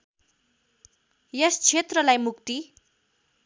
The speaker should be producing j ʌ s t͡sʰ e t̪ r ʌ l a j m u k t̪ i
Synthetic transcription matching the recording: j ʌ s t͡sʰ e t̪ r ʌ l a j m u k t̪ i